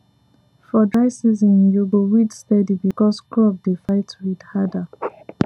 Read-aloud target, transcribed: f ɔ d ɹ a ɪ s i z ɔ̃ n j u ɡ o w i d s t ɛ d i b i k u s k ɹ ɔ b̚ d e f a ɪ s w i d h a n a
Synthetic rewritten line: f ɔ d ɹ a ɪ s i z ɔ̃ n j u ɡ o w i d s t ɛ d i b i k ɔ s k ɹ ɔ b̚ d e f a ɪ t w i d h a d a